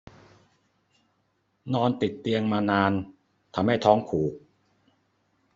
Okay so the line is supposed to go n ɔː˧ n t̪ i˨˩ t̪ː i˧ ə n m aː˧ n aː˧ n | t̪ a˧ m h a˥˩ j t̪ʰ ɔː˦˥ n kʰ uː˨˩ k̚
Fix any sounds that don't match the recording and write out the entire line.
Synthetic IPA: n ɔː˧ n t̪ i˨˩ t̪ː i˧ ə ŋ m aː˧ n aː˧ n | t̪ʰ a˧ m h a˥˩ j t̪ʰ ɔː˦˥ ŋ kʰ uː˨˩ k̚